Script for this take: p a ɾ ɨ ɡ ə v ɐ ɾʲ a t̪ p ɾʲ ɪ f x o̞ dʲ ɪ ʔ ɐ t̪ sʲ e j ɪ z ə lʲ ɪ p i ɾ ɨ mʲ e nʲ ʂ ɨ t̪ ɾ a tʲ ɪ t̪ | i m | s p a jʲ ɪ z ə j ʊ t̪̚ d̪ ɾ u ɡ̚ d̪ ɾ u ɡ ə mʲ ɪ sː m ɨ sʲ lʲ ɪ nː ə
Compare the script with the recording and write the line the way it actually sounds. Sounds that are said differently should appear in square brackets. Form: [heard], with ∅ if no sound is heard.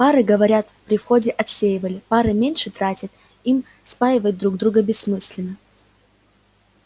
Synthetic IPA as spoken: p a ɾ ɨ ɡ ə v ɐ ɾʲ a t̪ p ɾʲ ɪ f x o̞ dʲ ɪ ʔ ɐ t̪ sʲ e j ɪ [v] ə lʲ ɪ p [a] ɾ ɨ mʲ e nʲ ʂ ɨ t̪ ɾ a tʲ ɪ t̪ | i m | s p a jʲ ɪ [v] ə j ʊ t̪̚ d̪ ɾ u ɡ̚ d̪ ɾ u ɡ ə [bʲ] ɪ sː m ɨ sʲ lʲ ɪ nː ə

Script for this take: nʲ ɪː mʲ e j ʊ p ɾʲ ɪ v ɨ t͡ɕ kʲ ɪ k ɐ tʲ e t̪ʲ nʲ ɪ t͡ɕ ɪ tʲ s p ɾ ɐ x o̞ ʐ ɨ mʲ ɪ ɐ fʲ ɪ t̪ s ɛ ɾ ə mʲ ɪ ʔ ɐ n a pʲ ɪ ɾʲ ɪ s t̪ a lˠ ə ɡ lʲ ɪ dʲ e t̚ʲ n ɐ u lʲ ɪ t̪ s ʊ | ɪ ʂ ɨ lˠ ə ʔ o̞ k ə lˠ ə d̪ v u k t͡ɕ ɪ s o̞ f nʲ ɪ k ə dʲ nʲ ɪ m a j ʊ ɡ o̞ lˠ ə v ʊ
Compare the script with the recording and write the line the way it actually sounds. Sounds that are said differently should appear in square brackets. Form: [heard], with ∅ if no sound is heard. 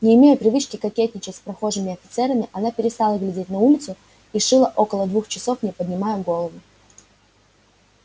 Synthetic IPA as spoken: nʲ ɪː mʲ e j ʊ p ɾʲ ɪ v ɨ t͡ɕ kʲ ɪ k ɐ [kʲ] e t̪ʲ nʲ ɪ t͡ɕ ɪ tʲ s p ɾ ɐ x o̞ ʐ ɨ mʲ ɪ ɐ fʲ ɪ t̪ s ɛ ɾ ə mʲ ɪ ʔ ɐ n a pʲ ɪ ɾʲ ɪ s t̪ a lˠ ə ɡ lʲ ɪ dʲ e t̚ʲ n ɐ u lʲ ɪ t̪ s ʊ | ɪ ʂ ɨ lˠ ə ʔ o̞ k ə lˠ ə d̪ v u [x] t͡ɕ ɪ s o̞ f nʲ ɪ [p] ə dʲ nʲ ɪ m a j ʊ ɡ o̞ lˠ ə v ʊ

